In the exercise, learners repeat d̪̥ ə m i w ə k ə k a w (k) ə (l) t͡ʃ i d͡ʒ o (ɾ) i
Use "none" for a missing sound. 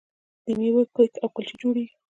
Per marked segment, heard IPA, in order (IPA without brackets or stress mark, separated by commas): k, l, ɽ